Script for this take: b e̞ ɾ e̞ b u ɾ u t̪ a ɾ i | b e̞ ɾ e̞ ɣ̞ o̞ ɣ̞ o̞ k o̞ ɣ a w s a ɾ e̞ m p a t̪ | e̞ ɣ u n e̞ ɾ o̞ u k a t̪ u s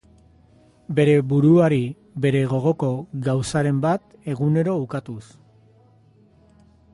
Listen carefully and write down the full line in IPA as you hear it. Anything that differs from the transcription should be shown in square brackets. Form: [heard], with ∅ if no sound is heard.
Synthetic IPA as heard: b e̞ ɾ e̞ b u ɾ u [∅] a ɾ i | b e̞ ɾ e̞ ɣ̞ o̞ ɣ̞ o̞ k o̞ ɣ a w s a ɾ e̞ m [b] a t̪ | e̞ ɣ u n e̞ ɾ o̞ u k a t̪ u s